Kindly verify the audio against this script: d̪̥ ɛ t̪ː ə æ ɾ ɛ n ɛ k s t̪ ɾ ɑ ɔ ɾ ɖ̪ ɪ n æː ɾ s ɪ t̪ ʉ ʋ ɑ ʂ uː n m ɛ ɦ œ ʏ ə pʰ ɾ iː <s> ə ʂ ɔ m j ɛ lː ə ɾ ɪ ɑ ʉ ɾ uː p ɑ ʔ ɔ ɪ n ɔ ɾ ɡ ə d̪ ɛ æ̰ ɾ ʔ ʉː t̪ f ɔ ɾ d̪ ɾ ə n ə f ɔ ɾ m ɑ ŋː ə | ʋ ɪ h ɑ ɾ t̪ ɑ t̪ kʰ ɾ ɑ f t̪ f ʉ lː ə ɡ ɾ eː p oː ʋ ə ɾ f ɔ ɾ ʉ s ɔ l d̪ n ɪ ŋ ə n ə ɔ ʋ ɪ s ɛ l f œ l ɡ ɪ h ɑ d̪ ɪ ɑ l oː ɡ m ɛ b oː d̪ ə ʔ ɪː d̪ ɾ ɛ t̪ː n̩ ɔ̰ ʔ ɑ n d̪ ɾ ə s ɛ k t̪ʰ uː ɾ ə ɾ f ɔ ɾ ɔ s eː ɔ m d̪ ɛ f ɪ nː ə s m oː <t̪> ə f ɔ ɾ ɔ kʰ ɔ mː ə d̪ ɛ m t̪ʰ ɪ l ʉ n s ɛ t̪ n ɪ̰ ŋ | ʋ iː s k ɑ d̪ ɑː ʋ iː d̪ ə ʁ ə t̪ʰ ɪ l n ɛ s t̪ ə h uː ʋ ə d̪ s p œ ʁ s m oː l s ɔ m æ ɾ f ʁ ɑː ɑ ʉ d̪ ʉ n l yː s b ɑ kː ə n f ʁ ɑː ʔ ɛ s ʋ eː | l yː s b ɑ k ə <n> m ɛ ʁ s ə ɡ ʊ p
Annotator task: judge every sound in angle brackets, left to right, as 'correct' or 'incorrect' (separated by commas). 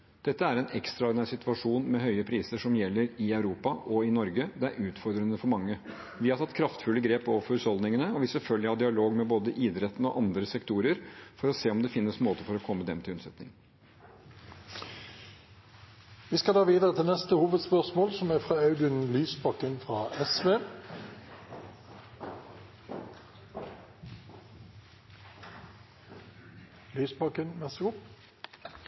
correct, correct, correct